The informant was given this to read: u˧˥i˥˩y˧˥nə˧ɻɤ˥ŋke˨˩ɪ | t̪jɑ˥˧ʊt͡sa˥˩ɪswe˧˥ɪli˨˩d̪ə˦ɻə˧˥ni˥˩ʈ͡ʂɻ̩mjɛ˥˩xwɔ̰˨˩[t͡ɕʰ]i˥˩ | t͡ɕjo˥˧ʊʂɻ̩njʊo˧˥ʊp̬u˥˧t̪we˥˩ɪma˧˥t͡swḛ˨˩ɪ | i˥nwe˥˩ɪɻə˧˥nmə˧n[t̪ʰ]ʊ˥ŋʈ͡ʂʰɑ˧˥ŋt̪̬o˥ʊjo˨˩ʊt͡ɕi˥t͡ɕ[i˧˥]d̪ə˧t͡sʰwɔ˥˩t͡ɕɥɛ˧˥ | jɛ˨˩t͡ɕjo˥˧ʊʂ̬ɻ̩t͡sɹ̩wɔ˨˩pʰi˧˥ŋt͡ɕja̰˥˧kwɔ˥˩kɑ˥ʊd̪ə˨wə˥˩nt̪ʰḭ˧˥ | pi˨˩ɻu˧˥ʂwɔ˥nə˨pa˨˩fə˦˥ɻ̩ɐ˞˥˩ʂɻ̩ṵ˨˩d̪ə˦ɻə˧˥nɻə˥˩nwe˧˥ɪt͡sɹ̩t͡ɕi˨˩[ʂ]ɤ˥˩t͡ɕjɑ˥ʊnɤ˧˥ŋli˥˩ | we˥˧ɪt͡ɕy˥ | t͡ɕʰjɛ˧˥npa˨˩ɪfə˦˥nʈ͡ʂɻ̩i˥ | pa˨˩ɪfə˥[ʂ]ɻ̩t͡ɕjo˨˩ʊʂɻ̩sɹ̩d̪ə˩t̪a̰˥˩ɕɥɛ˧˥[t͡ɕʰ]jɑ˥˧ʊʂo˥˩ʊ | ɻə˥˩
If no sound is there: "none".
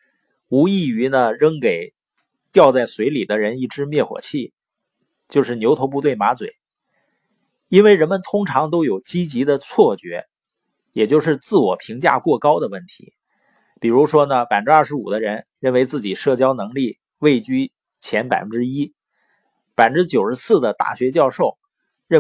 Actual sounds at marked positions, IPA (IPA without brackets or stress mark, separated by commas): t͡ɕʰ, t̪ʰ, i˧˥, ʂ, ʈ͡ʂ, t͡ɕ